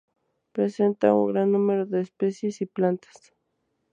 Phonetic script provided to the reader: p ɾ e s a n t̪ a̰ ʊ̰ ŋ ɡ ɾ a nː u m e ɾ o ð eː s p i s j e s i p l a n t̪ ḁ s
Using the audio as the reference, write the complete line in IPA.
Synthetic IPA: p ɾ e s e n t̪ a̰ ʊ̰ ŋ ɡ ɾ a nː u m e ɾ o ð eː s p e s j e s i p l a n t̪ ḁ s